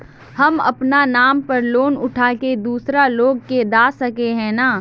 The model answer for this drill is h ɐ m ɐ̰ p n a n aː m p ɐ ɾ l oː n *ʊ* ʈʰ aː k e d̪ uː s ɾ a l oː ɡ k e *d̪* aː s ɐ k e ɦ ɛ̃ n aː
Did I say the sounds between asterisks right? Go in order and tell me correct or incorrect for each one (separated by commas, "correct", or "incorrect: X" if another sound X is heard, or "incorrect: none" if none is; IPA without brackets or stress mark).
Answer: correct, correct